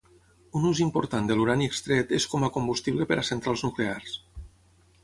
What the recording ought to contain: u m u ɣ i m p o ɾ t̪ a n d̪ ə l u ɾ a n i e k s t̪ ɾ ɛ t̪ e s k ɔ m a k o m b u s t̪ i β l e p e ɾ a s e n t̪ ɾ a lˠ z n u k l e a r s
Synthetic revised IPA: u n u z i m p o ɾ t̪ a n d̪ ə l u ɾ a n i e k s t̪ ɾ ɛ t̪ e s k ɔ m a k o m b u s t̪ i β l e p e ɾ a s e n t̪ ɾ a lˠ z n u k l e a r s